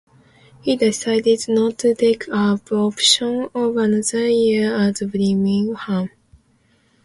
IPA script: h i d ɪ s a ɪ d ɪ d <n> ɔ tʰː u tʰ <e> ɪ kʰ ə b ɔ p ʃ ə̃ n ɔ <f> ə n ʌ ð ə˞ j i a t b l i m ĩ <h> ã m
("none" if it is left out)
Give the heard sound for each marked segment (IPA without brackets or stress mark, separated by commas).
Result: n, e, v, h